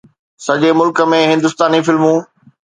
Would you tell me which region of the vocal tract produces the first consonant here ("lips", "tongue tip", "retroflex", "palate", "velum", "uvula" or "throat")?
tongue tip